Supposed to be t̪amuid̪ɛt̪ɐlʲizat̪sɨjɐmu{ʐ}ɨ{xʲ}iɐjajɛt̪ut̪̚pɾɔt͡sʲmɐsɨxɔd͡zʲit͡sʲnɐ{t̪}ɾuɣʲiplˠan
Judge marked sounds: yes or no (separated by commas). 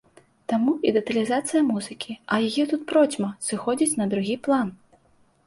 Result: no, no, no